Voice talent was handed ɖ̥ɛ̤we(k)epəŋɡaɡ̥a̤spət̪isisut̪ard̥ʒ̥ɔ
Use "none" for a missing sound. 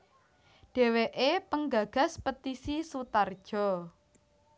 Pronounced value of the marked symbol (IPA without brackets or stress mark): ʔ